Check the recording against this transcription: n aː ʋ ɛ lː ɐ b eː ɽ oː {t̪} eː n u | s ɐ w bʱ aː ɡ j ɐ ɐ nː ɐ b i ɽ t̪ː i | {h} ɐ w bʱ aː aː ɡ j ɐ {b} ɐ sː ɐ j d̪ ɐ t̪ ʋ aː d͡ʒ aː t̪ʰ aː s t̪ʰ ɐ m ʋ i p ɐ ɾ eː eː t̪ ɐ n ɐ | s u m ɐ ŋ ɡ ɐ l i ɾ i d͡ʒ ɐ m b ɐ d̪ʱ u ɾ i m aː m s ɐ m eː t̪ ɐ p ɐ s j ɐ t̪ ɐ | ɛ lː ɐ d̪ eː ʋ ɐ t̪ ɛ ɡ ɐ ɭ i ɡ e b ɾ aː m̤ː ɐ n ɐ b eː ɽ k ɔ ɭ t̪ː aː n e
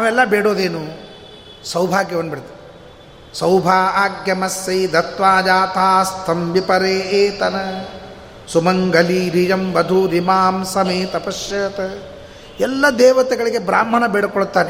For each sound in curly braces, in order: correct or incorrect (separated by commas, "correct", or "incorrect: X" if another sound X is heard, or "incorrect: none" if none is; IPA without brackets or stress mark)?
incorrect: d̪, incorrect: s, incorrect: m